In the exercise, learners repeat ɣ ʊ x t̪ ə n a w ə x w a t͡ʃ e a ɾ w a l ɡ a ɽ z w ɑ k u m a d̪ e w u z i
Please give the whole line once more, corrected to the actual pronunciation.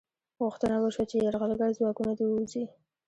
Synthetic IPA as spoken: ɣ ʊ x t̪ ə n a w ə ʃ w a t͡ʃ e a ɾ ɣ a l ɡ a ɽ z w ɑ k u n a d̪ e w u z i